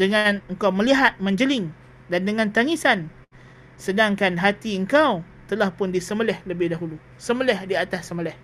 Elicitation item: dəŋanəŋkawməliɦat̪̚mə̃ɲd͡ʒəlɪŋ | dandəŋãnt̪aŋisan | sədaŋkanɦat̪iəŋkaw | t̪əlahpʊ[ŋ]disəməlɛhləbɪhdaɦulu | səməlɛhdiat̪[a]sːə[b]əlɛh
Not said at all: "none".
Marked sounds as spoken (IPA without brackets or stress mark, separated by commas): n, a, m